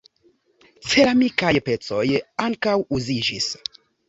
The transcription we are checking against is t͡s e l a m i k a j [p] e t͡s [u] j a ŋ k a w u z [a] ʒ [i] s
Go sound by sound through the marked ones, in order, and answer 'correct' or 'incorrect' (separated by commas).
correct, incorrect, incorrect, correct